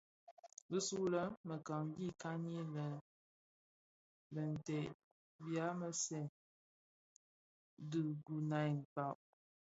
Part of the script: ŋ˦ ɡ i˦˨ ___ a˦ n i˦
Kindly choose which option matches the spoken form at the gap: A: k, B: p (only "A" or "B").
A